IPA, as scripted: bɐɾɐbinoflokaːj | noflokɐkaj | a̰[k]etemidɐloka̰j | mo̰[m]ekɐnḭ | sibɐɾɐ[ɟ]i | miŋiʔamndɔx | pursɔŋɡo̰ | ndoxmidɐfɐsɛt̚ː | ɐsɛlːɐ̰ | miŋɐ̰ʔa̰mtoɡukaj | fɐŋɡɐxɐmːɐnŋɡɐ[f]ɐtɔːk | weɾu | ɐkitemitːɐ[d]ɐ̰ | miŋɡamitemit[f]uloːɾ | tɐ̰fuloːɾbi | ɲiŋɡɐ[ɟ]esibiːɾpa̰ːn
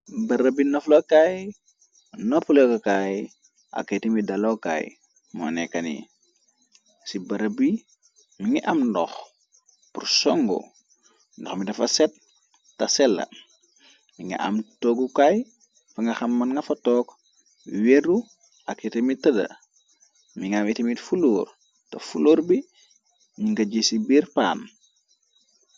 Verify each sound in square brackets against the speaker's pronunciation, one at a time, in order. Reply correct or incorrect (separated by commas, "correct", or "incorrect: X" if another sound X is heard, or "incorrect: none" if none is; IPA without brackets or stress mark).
correct, incorrect: n, incorrect: b, correct, correct, correct, correct